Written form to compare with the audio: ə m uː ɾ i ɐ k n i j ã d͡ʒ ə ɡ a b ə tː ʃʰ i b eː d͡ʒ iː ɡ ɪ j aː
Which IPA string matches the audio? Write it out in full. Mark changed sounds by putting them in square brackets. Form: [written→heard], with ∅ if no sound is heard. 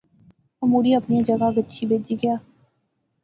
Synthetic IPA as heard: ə m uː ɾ i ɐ [k→p] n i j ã d͡ʒ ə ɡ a [b→ɡ] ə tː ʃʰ i b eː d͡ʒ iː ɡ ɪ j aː